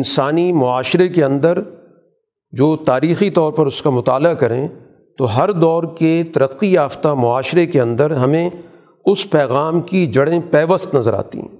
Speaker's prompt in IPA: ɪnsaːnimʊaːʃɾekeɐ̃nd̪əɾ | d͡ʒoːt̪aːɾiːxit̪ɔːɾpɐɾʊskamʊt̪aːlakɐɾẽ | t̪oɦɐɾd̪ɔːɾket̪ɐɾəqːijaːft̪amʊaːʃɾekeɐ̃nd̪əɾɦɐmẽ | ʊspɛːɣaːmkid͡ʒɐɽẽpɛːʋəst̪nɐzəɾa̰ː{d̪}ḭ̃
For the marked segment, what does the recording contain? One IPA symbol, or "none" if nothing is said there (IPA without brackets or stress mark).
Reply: t̪